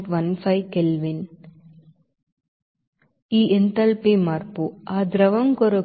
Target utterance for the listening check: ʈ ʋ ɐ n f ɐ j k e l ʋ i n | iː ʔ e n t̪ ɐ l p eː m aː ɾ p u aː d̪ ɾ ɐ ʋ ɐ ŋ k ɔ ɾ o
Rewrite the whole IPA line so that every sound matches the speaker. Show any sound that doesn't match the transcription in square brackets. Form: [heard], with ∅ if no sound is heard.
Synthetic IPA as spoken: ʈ ʋ ɐ n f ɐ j k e l ʋ i n | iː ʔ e n t̪ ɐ l p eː m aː ɾ p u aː d̪ ɾ ɐ ʋ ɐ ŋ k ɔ ɾ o